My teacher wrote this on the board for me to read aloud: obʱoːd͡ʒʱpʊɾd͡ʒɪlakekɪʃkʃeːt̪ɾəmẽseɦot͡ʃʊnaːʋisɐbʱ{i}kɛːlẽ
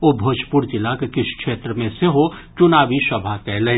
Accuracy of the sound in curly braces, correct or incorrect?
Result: incorrect